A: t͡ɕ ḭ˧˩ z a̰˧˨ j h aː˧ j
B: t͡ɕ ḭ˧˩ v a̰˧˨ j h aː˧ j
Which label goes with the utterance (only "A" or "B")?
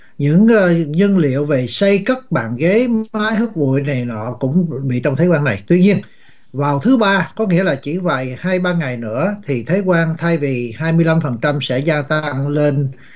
B